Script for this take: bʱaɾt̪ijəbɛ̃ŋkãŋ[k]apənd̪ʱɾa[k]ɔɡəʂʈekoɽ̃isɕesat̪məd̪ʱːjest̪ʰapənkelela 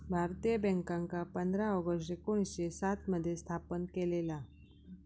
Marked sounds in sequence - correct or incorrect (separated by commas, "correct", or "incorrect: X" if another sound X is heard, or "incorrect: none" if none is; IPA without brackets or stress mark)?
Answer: correct, incorrect: none